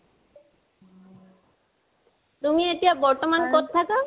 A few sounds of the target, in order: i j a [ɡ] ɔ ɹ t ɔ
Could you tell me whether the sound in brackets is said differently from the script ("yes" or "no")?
yes